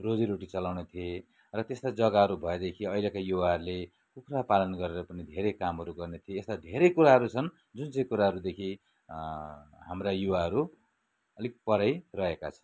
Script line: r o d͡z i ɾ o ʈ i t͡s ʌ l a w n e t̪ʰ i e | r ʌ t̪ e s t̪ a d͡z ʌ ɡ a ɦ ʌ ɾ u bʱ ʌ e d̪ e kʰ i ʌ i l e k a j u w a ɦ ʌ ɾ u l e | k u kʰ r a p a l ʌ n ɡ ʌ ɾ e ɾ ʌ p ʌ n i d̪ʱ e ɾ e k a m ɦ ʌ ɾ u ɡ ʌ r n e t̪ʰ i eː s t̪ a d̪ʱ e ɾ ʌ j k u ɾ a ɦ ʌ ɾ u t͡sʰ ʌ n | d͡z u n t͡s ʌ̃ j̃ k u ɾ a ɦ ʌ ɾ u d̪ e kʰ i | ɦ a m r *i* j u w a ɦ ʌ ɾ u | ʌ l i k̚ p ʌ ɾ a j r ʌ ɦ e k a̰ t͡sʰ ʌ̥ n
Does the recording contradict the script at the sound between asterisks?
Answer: yes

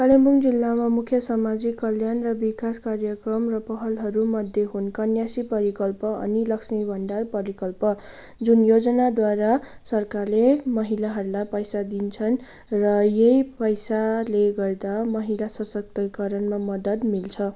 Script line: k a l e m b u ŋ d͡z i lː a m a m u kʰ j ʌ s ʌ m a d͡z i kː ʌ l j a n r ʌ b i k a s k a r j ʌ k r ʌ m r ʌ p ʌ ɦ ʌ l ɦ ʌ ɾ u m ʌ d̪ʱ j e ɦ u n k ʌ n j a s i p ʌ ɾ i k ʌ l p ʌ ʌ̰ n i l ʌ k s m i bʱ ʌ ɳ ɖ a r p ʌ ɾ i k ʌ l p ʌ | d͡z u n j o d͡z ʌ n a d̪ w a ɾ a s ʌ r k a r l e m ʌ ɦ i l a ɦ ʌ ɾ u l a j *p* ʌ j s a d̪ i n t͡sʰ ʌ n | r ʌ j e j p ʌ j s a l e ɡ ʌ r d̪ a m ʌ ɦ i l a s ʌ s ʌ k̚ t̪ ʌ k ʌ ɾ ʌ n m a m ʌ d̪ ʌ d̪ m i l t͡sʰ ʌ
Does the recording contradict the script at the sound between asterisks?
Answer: no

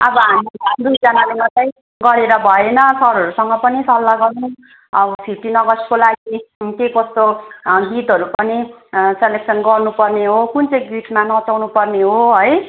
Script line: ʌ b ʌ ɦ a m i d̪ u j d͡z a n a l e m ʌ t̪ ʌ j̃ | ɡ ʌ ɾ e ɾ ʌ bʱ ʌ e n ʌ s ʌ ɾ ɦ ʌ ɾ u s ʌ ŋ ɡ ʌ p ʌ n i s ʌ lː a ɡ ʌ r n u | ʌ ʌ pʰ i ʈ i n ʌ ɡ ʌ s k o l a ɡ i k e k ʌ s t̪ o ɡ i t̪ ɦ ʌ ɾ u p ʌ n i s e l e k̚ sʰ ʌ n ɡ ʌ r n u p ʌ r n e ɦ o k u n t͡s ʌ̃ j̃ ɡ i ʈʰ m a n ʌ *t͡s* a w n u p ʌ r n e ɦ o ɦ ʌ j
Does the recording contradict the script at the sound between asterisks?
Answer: no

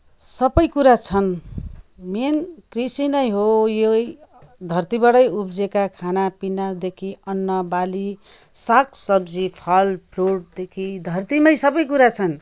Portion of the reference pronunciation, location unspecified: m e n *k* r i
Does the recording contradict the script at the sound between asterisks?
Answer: no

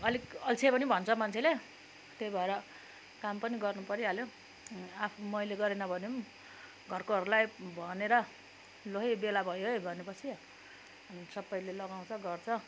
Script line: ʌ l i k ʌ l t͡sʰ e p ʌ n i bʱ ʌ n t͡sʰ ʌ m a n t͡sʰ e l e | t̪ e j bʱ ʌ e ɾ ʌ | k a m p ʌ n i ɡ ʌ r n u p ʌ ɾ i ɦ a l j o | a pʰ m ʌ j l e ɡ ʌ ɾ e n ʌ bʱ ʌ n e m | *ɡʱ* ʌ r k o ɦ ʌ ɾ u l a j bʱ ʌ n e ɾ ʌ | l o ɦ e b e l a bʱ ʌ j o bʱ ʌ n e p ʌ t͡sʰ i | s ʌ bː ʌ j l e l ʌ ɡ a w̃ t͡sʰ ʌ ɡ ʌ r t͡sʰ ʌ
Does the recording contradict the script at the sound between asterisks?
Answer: no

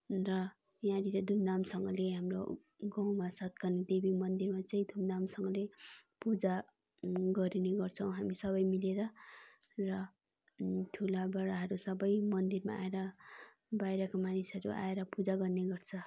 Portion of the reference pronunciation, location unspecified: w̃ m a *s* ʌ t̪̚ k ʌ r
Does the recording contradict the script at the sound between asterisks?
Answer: no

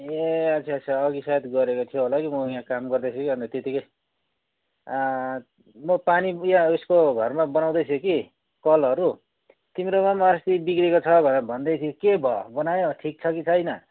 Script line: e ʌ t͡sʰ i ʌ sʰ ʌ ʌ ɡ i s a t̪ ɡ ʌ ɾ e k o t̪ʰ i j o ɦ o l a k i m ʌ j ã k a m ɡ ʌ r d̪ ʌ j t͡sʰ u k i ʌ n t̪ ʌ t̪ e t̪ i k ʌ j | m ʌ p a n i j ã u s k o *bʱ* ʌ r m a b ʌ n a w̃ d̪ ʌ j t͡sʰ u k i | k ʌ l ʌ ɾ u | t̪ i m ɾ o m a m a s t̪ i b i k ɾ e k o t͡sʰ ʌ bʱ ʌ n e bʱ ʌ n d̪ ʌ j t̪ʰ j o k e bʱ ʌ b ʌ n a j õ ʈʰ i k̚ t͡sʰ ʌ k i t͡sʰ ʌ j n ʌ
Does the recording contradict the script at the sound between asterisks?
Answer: yes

